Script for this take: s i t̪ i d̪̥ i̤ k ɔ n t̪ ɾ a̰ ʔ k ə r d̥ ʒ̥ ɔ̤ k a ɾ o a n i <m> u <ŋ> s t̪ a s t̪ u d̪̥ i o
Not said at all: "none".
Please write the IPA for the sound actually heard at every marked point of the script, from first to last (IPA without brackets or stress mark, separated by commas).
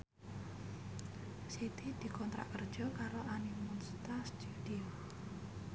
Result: m, n